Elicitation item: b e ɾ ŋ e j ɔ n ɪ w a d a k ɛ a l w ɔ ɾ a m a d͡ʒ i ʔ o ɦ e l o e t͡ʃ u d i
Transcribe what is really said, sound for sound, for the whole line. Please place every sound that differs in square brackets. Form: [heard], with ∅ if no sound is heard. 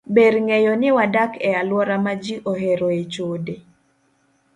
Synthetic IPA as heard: b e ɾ ŋ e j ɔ n ɪ w a d a k ɛ a l w ɔ ɾ a m a d͡ʒ i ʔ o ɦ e [ɾ] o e t͡ʃ [o] d [e]